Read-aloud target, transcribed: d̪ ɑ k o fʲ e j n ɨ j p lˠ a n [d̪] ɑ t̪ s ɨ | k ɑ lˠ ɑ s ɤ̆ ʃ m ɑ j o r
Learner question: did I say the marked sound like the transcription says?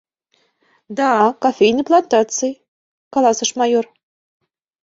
no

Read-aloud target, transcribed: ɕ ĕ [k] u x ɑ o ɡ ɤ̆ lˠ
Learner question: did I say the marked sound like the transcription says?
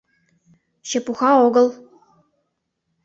no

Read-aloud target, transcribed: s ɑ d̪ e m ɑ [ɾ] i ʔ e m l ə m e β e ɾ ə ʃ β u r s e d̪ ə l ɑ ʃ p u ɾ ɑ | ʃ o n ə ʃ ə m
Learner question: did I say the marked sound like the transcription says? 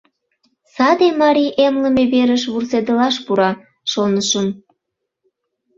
yes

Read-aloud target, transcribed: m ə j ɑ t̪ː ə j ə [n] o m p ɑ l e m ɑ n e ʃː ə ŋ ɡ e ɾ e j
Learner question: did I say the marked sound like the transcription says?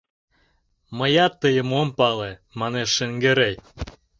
no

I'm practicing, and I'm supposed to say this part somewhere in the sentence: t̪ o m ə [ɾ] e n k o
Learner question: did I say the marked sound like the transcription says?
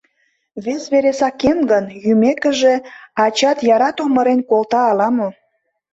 yes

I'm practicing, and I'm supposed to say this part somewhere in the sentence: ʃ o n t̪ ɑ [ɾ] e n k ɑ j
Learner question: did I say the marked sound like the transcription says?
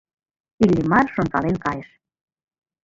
no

